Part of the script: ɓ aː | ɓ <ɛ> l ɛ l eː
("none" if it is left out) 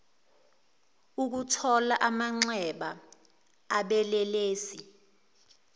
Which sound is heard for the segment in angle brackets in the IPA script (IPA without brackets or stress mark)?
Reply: ɛ